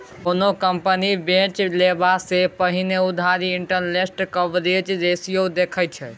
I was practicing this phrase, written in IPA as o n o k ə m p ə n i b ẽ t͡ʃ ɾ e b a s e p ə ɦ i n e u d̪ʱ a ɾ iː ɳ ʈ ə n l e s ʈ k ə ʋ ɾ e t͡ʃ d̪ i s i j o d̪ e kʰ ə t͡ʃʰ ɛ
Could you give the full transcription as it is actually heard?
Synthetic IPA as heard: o n o k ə m p ə n i b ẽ t͡ʃ l e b a s e p ə ɦ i n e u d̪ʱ a ɾ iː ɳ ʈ ə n l e s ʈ k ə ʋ ɾ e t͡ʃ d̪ e s i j o d̪ e kʰ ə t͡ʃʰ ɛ

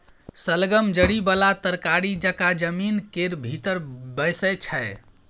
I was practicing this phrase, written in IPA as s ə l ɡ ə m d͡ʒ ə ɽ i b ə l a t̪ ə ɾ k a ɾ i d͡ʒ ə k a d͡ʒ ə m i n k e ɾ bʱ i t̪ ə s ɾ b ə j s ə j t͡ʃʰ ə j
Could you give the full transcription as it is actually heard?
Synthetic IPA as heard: s ə l ɡ ə m d͡ʒ ə ɽ i b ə l a t̪ ə ɾ k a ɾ i d͡ʒ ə k a d͡ʒ ə m i n k e ɾ bʱ i t̪ ə ɾ b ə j s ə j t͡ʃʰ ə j

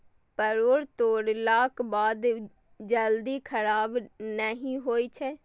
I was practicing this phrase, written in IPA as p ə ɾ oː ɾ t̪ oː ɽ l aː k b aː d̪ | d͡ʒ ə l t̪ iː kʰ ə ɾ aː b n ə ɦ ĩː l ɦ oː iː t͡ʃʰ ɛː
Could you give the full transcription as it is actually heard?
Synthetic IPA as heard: p ə ɾ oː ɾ t̪ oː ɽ l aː k b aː d̪ | d͡ʒ ə l d̪ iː kʰ ə ɾ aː b n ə ɦ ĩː ɦ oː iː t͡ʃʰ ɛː

